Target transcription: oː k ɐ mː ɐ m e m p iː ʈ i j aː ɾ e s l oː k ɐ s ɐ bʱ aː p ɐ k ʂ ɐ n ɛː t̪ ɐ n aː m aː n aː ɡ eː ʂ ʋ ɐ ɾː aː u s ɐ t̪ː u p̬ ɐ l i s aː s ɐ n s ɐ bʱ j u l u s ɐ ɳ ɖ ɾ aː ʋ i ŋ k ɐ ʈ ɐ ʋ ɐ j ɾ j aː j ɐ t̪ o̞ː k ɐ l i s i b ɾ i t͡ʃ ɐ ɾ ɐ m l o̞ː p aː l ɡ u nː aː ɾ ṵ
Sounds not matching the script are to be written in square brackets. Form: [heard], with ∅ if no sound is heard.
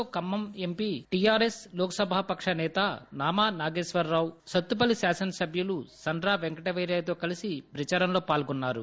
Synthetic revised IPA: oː k ɐ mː ɐ m e m p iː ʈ i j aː ɾ e s l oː k ɐ s ɐ bʱ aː p ɐ k ʂ ɐ n ɛː t̪ ɐ n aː m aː n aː ɡ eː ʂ ʋ ɐ ɾː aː [w] s ɐ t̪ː u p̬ ɐ l i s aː s ɐ n s ɐ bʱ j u l u s ɐ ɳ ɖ ɾ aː ʋ [e] ŋ k ɐ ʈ ɐ ʋ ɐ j ɾ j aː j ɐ t̪ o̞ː k ɐ l i s i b ɾ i t͡ʃ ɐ ɾ ɐ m l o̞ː p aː l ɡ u nː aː ɾ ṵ